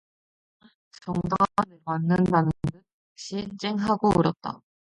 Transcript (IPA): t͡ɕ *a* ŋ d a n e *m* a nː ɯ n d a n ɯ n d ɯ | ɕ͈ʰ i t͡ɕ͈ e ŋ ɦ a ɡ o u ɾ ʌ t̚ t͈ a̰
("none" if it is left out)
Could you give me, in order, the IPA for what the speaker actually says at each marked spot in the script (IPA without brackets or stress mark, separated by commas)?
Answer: ʌ, m